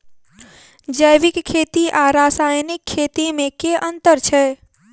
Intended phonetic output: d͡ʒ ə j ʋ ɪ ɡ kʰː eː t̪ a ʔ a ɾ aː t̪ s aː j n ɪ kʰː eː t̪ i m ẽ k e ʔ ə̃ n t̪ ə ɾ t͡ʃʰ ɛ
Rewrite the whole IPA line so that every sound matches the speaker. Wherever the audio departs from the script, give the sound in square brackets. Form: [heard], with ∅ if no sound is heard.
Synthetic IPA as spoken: d͡ʒ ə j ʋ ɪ [k] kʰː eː t̪ [i] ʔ a ɾ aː [∅] s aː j n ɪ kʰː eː t̪ i m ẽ k e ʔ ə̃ n t̪ ə ɾ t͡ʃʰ ɛ